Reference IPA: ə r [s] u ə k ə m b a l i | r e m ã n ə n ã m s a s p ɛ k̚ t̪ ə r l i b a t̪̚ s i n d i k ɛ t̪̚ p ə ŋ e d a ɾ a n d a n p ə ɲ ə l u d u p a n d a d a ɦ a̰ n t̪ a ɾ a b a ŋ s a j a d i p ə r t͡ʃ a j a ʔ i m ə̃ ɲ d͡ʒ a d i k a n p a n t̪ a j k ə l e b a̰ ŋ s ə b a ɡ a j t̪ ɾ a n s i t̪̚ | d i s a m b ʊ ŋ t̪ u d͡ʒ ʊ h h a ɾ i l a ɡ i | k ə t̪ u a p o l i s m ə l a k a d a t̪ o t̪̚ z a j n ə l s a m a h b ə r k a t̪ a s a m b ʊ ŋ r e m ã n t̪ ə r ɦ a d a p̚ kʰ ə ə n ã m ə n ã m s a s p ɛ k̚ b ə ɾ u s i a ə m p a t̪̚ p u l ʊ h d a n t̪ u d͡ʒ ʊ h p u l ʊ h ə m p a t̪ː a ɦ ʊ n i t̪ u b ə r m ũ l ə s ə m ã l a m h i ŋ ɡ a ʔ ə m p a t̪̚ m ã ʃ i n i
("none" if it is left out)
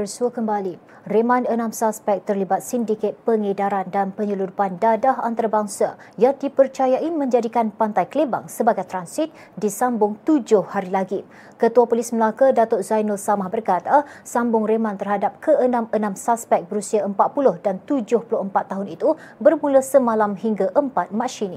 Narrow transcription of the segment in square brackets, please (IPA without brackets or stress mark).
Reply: s